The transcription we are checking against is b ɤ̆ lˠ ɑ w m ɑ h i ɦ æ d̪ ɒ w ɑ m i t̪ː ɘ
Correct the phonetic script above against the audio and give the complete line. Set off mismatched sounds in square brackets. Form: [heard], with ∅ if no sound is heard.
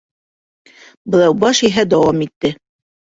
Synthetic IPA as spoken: b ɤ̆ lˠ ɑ w [b] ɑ [ʃ] i ɦ æ d̪ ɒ w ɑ m i t̪ː ɘ